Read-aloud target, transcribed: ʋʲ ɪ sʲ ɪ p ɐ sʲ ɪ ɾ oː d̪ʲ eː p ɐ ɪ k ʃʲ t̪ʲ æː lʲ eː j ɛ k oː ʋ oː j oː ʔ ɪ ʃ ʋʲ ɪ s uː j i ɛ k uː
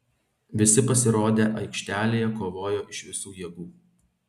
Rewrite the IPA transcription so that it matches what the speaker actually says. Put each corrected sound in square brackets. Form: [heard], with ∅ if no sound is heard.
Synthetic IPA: ʋʲ ɪ sʲ ɪ p ɐ sʲ ɪ ɾ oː d̪ʲ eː [ʔ] ɐ ɪ k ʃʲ t̪ʲ æː lʲ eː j ɛ k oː ʋ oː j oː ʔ ɪ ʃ ʋʲ ɪ s uː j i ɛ [ɡ] uː